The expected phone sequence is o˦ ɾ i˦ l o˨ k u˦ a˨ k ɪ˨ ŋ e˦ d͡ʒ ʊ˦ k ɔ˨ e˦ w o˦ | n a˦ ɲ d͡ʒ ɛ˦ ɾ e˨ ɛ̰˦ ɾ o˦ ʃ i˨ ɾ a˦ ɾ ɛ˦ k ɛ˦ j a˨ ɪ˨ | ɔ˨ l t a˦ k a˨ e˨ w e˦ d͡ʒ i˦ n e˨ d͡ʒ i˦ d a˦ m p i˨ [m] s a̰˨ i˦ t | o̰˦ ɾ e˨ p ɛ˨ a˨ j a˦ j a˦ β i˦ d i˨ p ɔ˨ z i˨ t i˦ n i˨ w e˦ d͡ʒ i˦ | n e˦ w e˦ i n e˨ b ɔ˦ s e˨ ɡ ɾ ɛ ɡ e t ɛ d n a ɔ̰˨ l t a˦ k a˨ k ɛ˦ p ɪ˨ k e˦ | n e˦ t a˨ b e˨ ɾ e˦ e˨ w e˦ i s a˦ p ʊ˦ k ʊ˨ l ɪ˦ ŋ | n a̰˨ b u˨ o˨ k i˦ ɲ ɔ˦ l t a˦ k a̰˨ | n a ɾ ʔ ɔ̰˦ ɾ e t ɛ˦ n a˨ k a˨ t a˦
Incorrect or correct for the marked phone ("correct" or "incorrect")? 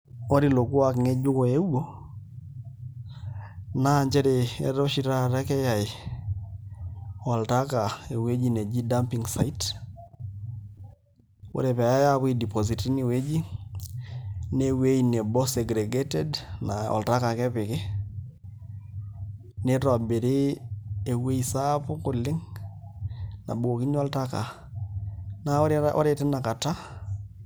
incorrect